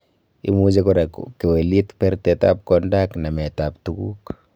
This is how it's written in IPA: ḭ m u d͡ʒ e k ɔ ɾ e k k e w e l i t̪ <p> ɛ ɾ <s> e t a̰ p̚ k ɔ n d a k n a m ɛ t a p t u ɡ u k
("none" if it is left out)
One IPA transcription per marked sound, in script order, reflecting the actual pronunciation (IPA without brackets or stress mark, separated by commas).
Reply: p, t